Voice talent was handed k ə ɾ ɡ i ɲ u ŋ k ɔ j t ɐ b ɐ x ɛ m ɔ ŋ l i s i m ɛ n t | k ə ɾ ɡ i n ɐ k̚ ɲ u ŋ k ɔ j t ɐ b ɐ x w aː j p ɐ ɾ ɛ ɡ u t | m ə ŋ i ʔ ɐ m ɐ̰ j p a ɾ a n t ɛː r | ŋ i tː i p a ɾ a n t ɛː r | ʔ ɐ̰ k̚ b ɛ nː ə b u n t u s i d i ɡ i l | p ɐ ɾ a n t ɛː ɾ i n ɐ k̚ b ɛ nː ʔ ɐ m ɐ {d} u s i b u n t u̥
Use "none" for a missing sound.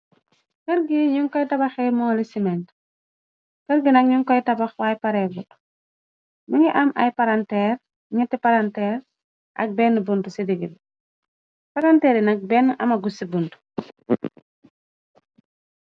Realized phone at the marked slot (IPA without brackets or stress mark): ɡ